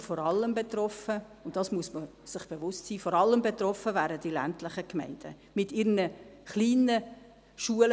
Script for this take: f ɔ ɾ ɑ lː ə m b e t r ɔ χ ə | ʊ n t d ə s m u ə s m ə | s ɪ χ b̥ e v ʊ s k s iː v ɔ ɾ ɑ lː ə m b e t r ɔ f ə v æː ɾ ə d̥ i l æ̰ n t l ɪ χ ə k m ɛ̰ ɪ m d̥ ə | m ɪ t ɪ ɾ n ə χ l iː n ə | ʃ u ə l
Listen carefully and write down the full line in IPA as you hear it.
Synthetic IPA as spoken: f ɔ ɾ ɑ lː ə m b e t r ɔ f ə | ʊ n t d ɑ s m u ə s m ə | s ɪ χ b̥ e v ʊ s t s iː f ɔ ɾ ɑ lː ə m b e t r ɔ f ə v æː ɾ ə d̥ i l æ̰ n t l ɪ χ ə k m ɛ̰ ɪ n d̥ ə | m ɪ t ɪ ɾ n ə χ l iː n ə | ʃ u ə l